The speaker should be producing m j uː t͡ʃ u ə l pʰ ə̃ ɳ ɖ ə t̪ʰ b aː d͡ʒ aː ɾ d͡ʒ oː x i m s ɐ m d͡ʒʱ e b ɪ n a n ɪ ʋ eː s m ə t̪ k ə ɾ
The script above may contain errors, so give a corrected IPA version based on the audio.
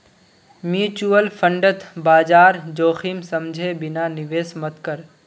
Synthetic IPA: m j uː t͡ʃ u ə l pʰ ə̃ ɳ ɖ ə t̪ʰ b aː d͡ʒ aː ɾ d͡ʒ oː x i m s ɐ m d͡ʒʱ e b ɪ n a n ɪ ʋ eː s m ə t̪ k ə ɾ

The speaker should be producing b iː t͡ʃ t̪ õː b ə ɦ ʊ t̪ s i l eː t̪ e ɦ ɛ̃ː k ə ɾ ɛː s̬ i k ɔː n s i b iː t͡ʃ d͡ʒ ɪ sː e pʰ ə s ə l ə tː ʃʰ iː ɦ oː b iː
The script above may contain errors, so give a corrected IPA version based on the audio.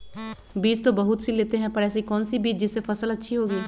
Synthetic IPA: b iː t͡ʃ t̪ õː b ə ɦ ʊ t̪ s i l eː t̪ e ɦ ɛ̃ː p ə ɾ ɛː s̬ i k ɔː n s i b iː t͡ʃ d͡ʒ ɪ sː e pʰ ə s ə l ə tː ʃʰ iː ɦ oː ɡ iː

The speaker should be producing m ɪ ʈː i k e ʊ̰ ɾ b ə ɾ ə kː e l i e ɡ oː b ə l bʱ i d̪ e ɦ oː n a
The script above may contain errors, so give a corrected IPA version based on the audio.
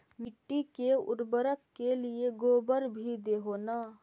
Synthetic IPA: m ɪ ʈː i k e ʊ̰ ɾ b ə ɾ ə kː e l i e ɡ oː b ə ɾ bʱ i d̪ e ɦ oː n a

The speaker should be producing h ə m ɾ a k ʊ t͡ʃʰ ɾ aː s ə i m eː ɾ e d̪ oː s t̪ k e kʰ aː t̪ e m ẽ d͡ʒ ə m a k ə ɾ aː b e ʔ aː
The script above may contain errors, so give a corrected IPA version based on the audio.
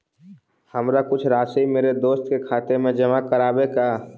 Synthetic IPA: h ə m ɾ a k ʊ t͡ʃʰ ɾ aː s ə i m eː ɾ e d̪ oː s t̪ k e kʰ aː t̪ e m ẽ d͡ʒ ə m a k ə ɾ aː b e k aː

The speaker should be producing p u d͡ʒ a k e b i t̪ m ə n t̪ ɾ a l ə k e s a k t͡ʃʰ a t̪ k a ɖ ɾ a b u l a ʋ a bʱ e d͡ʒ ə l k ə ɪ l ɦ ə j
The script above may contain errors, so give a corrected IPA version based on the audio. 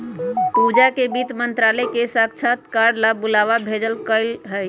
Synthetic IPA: p u d͡ʒ a k e b i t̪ m ə n t̪ ɾ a l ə k e s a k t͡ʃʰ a t̪ k a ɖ l a b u l a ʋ a bʱ e d͡ʒ ə l k ə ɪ l ɦ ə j

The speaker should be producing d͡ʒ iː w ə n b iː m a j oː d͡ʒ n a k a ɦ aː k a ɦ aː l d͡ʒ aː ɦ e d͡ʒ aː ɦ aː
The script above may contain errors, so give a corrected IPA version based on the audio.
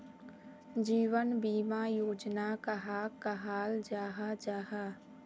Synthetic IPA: d͡ʒ iː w ə n b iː m a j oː d͡ʒ n a k a ɦ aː k a ɦ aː l d͡ʒ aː ɦ a d͡ʒ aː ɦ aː

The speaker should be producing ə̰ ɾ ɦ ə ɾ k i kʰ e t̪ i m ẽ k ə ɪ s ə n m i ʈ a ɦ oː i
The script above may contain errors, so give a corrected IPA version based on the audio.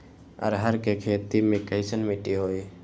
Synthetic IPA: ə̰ ɾ ɦ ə ɾ k e kʰ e t̪ i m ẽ k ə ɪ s ə n m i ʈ i ɦ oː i

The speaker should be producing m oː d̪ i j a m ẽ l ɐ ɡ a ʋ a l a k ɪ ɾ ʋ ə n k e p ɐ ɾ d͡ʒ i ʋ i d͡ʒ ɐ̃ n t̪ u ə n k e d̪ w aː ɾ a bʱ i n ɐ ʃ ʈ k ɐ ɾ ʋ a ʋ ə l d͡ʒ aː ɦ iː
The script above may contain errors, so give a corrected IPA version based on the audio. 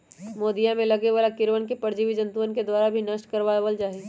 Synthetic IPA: m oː d̪ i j a m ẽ l ɐ ɡ e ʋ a l a k ɪ ɾ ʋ ə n k e p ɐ ɾ d͡ʒ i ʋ i d͡ʒ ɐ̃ n t̪ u ə n k e d̪ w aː ɾ a bʱ i n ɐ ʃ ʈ k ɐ ɾ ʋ a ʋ ə l d͡ʒ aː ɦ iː

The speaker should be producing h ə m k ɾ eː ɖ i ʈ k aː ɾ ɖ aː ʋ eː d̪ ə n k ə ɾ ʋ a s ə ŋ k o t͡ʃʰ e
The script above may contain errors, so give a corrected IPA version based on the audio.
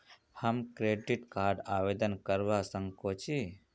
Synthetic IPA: h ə m k ɾ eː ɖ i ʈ k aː ɾ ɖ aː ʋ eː d̪ ə n k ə ɾ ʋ a s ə ŋ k o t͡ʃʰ i

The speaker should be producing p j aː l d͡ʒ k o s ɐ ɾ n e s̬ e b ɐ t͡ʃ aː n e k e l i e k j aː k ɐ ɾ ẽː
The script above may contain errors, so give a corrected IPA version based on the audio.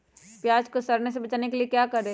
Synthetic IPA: p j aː d͡ʒ k o s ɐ ɾ n e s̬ e b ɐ t͡ʃ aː n e k e l i e k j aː k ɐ ɾ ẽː

